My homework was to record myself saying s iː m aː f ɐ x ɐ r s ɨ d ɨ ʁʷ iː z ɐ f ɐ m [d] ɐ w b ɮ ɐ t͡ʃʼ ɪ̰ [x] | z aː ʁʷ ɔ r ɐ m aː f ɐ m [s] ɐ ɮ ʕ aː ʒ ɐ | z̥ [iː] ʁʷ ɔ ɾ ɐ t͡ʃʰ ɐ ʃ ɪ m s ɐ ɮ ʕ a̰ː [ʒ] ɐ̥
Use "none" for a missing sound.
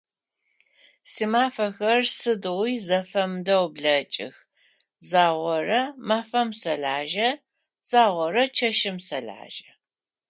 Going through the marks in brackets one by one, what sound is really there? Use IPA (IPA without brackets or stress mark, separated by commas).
d, x, s, aː, ʒ